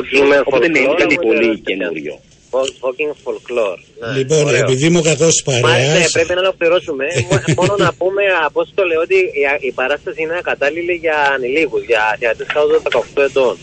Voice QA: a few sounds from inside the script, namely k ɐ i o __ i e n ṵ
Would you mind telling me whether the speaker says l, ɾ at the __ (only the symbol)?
l